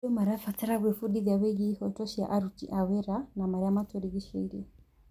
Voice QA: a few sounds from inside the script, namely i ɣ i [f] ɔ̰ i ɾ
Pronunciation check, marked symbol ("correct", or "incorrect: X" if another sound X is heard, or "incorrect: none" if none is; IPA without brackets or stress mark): incorrect: ʃ